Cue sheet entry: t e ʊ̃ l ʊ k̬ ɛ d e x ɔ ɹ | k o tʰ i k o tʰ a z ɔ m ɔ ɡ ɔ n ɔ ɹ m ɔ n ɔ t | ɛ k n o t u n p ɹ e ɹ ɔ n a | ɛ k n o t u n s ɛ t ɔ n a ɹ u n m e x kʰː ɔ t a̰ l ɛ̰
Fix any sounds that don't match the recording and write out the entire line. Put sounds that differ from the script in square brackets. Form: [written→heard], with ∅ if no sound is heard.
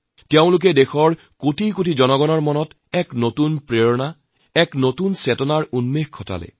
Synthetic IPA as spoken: t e ʊ̃ l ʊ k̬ ɛ d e x ɔ ɹ | k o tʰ i k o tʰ [a→i] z ɔ [m→n] ɔ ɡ ɔ n ɔ ɹ m ɔ n ɔ t | ɛ k n o t u n p ɹ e ɹ ɔ n a | ɛ k n o t u n s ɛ t ɔ n a ɹ u n m e x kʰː ɔ t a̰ l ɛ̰